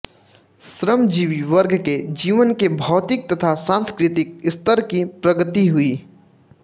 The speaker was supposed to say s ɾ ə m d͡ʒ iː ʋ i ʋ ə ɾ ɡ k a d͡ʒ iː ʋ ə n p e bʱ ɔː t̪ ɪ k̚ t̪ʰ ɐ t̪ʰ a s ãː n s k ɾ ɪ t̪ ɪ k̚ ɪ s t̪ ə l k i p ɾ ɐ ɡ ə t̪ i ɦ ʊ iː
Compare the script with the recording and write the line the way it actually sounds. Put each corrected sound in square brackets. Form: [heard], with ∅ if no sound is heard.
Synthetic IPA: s ɾ ə m d͡ʒ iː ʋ i ʋ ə ɾ ɡ k [e] d͡ʒ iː ʋ ə n [k] e bʱ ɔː t̪ ɪ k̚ [t̪] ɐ t̪ʰ a s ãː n s k ɾ ɪ t̪ ɪ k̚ ɪ s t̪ ə [ɾ] k i p ɾ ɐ ɡ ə t̪ i ɦ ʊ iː